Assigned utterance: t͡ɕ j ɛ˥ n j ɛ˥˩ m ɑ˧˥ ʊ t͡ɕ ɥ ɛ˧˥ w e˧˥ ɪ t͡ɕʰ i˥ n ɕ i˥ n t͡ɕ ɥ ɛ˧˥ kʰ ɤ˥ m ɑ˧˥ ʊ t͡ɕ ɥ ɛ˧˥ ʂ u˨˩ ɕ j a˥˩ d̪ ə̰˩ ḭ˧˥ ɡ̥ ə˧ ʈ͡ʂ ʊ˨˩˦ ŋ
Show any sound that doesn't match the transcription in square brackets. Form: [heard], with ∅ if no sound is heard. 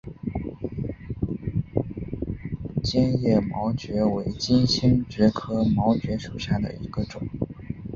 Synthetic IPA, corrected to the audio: t͡ɕ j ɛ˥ n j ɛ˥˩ m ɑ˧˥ ʊ t͡ɕ ɥ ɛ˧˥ w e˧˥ ɪ [t͡ɕ] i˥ n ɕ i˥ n t͡ɕ ɥ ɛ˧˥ kʰ ɤ˥ m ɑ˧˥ ʊ t͡ɕ ɥ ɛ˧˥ ʂ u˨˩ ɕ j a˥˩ d̪ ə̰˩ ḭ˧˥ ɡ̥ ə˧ ʈ͡ʂ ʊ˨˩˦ ŋ